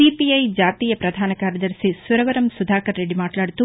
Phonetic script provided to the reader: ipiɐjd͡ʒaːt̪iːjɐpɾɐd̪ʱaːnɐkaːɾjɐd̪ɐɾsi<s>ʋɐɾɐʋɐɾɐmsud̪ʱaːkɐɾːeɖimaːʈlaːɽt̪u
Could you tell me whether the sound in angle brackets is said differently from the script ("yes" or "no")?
no